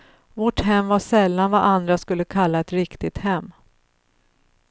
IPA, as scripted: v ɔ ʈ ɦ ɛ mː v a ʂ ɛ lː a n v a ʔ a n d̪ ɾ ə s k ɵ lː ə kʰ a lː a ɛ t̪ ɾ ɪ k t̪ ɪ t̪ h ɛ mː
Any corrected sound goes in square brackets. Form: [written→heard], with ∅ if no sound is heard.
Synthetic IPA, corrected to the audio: v ɔ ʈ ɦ ɛ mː v a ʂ ɛ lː a n v a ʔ a n d̪ ɾ [ə→a] s k ɵ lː ə kʰ a lː a ɛ t̪ ɾ ɪ k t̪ ɪ t̪ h ɛ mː